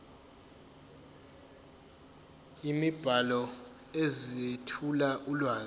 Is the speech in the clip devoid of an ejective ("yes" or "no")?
yes